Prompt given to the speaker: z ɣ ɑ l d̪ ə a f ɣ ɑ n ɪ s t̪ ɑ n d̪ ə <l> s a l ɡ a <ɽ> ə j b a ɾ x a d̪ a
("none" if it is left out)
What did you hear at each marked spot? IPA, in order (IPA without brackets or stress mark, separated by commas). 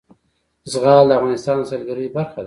none, ɾ